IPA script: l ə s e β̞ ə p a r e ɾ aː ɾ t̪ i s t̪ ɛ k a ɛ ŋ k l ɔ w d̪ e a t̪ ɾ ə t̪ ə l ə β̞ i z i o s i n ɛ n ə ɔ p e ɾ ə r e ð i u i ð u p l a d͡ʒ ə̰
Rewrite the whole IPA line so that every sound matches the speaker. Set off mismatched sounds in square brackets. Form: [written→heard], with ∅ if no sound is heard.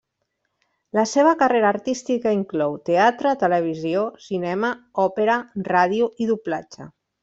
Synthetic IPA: l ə s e β̞ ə [p→k] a r e ɾ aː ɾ t̪ i s t̪ [ɛ→i] k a [ɛ→i] ŋ k l ɔ w [d̪→t̪] e a t̪ ɾ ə t̪ ə l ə β̞ i z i o s i n ɛ [n→m] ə ɔ p e ɾ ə r [e→a] ð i u i ð u p l a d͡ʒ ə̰